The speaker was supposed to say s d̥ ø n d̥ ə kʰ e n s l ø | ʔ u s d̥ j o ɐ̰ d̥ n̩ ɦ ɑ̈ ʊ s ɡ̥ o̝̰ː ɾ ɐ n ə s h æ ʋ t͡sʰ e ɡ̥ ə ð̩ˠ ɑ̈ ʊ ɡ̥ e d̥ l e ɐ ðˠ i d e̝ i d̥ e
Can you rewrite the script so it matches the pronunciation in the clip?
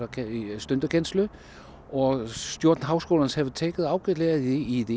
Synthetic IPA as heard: s d̥ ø n d̥ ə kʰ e n s l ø | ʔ ɒ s d̥ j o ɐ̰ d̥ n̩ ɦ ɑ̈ ʊ s ɡ̥ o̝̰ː l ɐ n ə s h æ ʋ t͡sʰ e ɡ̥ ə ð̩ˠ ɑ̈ ʊ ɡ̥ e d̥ l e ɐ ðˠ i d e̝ i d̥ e